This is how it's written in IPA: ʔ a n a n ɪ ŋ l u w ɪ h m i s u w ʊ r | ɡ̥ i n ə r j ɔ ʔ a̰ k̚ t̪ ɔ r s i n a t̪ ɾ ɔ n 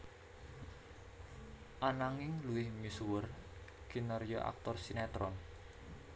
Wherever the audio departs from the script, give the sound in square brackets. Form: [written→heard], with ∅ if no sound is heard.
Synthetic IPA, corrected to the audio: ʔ a n a [n→ŋ] ɪ ŋ l u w ɪ h m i s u w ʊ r | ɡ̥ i n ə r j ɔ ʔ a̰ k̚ t̪ ɔ r s i n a t̪ ɾ ɔ n